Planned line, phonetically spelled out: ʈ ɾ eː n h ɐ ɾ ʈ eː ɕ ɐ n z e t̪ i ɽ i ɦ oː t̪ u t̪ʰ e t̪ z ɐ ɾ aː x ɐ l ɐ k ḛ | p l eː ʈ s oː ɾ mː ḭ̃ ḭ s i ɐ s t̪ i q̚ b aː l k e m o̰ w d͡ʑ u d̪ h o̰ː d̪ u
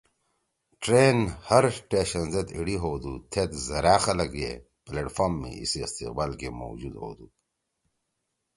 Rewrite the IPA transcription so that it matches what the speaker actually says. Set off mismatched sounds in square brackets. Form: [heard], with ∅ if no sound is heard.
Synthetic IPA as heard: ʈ ɾ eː n h ɐ ɾ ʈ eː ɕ ɐ n z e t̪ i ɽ i ɦ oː [d̪] u t̪ʰ e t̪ z ɐ ɾ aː x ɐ l ɐ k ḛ | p l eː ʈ [f] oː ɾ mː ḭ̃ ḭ s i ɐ s t̪ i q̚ b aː l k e m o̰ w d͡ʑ u d̪ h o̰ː d̪ u